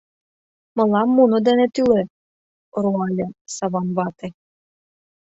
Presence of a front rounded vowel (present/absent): present